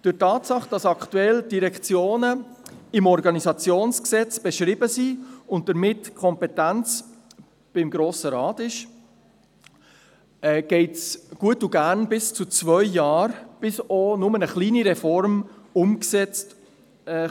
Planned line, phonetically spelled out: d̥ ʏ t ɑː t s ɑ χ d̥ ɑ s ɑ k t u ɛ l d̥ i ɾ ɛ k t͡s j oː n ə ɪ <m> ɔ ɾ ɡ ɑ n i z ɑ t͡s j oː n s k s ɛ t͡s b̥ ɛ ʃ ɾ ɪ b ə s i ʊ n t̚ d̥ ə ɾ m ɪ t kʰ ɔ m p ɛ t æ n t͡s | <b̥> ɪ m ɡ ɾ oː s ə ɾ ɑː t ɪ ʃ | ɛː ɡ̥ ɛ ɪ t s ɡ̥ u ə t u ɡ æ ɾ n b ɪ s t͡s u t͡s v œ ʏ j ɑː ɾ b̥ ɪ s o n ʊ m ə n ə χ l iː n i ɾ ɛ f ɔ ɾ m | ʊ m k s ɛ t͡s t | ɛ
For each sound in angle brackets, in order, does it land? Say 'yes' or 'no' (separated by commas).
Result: yes, yes